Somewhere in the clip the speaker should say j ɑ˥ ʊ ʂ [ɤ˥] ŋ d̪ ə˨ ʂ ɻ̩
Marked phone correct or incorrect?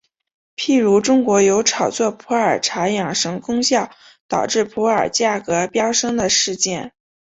correct